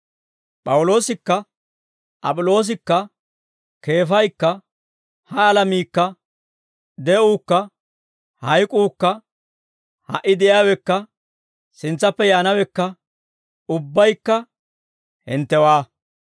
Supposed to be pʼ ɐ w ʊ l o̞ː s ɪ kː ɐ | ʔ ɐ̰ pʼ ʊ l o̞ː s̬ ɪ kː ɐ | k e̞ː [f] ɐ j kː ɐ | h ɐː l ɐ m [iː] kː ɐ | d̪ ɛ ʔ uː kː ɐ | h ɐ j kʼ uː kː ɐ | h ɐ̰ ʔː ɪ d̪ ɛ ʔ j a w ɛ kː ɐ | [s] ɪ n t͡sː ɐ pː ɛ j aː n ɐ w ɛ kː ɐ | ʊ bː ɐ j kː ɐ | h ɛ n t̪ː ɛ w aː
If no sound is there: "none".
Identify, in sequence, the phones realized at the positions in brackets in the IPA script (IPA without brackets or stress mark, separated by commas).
f, iː, s